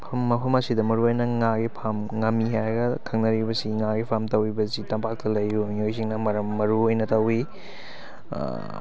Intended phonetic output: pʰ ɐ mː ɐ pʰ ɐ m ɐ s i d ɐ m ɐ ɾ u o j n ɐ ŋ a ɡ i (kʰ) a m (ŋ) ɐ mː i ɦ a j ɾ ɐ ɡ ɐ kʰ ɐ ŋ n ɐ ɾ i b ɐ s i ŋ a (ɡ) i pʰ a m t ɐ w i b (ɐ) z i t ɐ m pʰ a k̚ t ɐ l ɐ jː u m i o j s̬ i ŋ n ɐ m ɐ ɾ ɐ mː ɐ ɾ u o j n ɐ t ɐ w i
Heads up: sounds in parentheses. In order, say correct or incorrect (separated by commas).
incorrect, correct, correct, correct